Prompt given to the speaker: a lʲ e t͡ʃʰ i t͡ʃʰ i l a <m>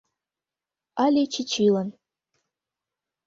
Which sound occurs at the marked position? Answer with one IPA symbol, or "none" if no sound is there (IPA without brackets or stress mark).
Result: n